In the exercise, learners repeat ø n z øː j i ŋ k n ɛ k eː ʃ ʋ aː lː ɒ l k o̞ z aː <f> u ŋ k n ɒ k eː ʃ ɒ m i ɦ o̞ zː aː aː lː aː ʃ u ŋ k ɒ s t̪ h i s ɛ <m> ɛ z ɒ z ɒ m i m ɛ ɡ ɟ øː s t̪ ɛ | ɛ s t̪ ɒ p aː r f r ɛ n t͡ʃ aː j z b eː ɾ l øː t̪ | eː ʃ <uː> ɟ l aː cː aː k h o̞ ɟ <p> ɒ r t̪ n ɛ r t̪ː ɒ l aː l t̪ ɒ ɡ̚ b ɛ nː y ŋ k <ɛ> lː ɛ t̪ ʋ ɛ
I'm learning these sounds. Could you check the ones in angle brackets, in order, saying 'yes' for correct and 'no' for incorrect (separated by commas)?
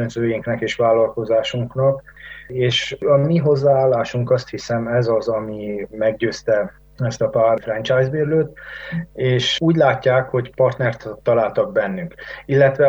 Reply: no, yes, yes, yes, no